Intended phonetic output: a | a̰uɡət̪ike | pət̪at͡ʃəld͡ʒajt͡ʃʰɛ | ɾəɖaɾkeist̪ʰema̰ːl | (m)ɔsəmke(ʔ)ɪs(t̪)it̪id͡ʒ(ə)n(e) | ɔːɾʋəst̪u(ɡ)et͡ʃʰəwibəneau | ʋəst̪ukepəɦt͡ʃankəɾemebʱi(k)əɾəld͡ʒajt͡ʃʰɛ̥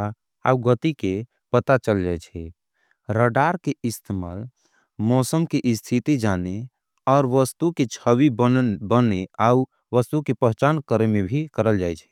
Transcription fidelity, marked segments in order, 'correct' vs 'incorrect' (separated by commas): correct, correct, incorrect, incorrect, correct, incorrect, correct